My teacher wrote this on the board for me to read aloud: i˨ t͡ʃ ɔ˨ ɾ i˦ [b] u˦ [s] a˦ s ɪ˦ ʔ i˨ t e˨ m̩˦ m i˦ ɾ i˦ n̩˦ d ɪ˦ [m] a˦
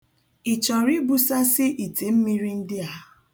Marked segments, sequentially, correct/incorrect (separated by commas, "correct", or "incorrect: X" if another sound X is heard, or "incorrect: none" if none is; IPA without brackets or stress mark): correct, correct, incorrect: none